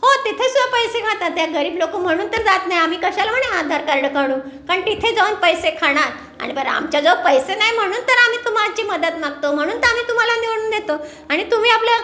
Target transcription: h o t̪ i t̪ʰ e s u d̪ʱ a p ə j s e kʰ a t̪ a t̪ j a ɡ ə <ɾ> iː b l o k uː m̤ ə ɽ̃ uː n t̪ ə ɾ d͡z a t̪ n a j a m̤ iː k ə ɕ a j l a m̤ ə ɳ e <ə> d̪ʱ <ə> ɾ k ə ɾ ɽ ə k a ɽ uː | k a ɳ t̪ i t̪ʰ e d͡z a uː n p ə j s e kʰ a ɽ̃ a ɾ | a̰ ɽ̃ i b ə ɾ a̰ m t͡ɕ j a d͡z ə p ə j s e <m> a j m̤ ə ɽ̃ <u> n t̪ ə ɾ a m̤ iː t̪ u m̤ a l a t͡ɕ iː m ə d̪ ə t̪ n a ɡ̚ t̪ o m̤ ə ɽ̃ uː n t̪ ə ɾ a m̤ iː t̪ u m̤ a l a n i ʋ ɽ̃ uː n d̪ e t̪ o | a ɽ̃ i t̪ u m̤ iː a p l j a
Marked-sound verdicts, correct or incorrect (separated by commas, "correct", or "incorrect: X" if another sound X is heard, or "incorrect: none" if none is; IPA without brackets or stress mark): correct, incorrect: a, incorrect: a, incorrect: n, incorrect: uː